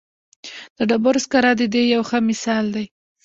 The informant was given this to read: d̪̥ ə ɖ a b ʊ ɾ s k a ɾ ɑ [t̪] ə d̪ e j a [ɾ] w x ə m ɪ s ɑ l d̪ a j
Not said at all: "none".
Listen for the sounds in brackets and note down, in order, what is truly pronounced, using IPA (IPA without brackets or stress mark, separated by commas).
d̪, none